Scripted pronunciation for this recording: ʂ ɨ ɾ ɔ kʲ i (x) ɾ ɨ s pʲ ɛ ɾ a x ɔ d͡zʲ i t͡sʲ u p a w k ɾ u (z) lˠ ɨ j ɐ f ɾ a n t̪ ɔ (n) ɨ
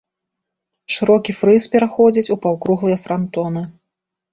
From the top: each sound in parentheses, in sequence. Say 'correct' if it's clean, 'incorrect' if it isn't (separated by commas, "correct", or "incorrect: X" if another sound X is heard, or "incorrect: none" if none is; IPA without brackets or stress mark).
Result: incorrect: f, incorrect: ɣ, correct